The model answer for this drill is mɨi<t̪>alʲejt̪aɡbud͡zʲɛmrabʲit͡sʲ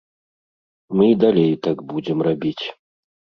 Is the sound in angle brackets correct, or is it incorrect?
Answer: incorrect